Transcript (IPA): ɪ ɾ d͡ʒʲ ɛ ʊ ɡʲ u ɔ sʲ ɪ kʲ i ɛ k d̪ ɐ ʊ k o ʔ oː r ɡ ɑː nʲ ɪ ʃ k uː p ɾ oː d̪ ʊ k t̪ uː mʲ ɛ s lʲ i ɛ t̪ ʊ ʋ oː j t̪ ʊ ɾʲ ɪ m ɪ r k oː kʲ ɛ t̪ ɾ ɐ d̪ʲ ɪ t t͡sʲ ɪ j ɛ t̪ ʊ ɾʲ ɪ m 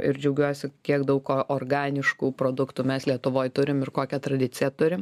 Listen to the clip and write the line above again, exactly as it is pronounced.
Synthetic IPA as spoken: ɪ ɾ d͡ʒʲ ɛ ʊ ɡʲ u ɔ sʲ ɪ kʲ i ɛ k d̪ ɐ ʊ k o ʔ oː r ɡ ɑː nʲ ɪ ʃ k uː p ɾ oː d̪ ʊ k t̪ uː mʲ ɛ s lʲ i ɛ t̪ ʊ ʋ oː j t̪ ʊ ɾʲ ɪ m ɪ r k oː kʲ ɛ t̪ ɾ ɐ d̪ʲ ɪ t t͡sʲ ɪ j ɛ t̪ ʊ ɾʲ ɪ m

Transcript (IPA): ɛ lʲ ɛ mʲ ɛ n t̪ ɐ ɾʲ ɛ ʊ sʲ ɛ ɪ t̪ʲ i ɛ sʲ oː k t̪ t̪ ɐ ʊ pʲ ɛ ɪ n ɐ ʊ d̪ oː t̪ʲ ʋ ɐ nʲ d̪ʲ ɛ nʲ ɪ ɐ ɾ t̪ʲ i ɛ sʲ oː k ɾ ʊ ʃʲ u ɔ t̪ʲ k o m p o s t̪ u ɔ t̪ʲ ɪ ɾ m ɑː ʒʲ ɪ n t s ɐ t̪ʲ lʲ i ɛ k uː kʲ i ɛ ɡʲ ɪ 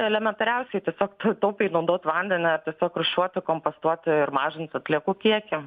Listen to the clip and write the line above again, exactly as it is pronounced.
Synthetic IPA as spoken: ɛ lʲ ɛ mʲ ɛ n t̪ ɐ ɾʲ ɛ ʊ sʲ ɛ ɪ t̪ʲ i ɛ sʲ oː k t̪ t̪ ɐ ʊ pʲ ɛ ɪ n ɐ ʊ d̪ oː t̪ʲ ʋ ɐ nʲ d̪ʲ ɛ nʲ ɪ ɐ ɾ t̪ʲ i ɛ sʲ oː k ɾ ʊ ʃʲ u ɔ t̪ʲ k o m p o s t̪ u ɔ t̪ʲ ɪ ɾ m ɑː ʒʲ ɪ n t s ɐ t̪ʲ lʲ i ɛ k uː kʲ i ɛ kʲ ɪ

